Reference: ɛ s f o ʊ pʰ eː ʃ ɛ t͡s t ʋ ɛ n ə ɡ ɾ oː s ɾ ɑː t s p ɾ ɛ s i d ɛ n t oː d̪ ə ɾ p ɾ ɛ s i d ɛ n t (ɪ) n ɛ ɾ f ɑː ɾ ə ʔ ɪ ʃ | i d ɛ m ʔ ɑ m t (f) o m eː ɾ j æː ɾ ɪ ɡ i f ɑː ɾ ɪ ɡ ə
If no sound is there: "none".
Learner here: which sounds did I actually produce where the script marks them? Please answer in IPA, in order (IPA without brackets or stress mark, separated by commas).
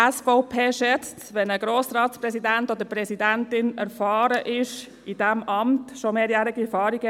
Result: ɪ, ʃ